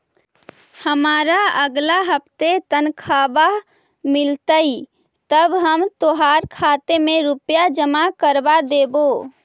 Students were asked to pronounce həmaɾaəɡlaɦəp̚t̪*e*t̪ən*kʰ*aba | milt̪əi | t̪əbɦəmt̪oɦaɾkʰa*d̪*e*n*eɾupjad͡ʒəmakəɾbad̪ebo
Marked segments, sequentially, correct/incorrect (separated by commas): correct, correct, incorrect, incorrect